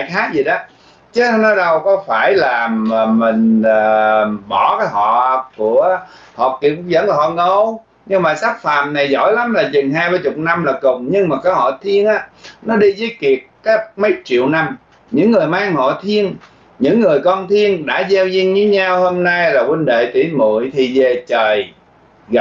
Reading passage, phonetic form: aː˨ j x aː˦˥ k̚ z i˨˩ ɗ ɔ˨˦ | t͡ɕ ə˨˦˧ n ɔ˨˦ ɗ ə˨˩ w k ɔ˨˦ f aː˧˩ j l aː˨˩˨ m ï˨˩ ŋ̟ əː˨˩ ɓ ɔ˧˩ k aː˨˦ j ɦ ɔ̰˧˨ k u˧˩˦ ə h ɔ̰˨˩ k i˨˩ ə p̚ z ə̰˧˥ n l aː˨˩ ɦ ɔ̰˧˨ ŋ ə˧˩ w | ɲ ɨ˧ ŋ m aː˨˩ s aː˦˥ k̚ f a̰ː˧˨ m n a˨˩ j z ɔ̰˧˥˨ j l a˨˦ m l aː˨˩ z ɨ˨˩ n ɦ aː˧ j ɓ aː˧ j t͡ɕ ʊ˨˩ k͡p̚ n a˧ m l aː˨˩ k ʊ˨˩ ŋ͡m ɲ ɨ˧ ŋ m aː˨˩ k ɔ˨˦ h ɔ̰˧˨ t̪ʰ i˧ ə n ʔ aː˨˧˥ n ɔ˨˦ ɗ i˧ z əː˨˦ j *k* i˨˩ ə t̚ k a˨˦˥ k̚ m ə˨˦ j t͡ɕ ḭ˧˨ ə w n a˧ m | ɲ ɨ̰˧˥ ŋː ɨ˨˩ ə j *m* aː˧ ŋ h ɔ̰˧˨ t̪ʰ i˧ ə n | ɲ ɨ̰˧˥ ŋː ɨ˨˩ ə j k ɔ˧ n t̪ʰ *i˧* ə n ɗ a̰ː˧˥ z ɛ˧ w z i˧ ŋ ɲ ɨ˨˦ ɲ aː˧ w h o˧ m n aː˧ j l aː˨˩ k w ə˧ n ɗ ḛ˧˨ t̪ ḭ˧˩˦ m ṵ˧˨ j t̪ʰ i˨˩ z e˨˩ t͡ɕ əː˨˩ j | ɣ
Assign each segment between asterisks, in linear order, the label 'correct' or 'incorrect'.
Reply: correct, correct, correct

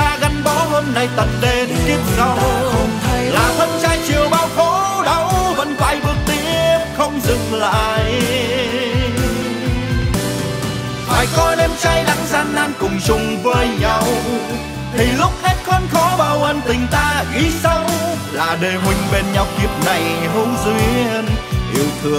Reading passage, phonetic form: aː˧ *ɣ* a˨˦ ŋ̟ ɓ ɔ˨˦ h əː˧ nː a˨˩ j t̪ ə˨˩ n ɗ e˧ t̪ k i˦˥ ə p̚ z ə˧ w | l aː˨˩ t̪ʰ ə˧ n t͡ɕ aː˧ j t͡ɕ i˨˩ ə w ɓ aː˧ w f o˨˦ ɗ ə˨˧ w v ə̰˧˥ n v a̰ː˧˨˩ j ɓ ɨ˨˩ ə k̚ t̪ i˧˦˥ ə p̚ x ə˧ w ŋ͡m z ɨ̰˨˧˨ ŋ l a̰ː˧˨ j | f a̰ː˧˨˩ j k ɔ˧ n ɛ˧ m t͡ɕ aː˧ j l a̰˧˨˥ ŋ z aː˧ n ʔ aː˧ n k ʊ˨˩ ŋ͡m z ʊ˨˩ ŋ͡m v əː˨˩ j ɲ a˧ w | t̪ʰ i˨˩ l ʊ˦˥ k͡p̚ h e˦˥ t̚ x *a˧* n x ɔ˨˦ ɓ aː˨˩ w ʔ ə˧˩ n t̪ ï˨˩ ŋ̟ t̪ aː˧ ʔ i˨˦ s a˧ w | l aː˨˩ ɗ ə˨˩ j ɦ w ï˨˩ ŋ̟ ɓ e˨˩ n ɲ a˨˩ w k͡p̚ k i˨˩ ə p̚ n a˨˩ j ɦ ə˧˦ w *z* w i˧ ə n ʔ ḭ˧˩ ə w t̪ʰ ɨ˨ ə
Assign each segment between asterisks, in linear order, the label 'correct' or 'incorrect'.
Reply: correct, incorrect: ə˧, correct

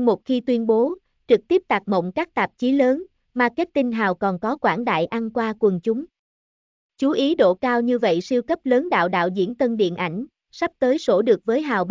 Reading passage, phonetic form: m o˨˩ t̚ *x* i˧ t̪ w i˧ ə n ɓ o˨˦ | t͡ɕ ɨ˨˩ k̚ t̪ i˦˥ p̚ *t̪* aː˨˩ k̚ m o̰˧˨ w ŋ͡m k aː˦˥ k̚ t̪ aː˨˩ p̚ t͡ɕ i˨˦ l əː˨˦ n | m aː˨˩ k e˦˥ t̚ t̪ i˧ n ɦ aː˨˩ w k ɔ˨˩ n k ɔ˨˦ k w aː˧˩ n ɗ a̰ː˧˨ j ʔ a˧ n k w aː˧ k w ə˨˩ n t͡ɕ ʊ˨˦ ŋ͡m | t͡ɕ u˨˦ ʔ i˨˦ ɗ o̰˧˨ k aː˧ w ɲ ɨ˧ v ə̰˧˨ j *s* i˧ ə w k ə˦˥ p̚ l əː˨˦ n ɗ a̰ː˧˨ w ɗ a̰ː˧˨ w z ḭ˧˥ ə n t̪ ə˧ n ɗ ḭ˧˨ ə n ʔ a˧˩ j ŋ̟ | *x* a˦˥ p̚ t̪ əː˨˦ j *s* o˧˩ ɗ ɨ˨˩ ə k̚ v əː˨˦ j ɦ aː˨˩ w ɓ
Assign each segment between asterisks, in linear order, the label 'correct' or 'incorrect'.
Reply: correct, correct, correct, incorrect: s, correct

